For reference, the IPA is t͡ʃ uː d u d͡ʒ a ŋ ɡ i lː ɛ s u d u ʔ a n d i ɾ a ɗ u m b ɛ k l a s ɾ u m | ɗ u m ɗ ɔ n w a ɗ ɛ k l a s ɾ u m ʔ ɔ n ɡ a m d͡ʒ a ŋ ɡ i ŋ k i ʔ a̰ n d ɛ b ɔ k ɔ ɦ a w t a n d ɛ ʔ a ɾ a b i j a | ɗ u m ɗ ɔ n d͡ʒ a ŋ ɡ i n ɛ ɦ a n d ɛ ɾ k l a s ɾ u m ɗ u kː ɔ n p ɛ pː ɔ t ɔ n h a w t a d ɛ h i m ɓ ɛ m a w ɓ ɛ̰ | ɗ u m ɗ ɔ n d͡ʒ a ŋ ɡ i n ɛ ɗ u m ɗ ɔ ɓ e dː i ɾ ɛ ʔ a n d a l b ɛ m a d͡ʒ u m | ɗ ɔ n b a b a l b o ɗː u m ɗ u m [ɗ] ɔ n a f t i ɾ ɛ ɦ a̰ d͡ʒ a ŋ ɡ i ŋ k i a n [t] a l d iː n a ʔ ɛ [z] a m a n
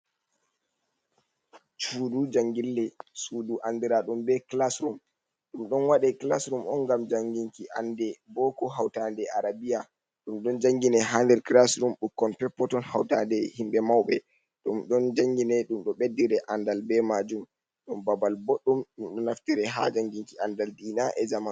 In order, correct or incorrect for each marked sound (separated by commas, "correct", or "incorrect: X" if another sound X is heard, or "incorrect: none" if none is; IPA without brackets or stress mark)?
correct, incorrect: d, correct